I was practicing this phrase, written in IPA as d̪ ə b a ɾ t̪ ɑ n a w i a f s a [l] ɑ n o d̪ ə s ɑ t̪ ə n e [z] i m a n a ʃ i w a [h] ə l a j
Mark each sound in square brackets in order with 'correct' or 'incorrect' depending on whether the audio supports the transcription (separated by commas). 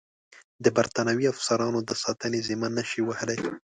incorrect, correct, correct